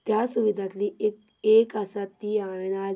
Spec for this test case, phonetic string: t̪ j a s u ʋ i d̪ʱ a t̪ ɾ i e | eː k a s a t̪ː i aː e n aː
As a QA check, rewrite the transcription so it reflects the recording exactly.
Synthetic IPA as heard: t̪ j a s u ʋ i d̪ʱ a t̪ l i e | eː k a s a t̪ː i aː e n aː